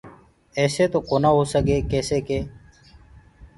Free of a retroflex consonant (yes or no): yes